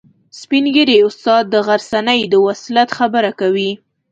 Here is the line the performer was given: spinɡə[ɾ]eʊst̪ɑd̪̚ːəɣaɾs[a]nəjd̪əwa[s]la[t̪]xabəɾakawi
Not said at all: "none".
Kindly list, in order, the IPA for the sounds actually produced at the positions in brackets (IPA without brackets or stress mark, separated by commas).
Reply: ɾ, a, s, t̪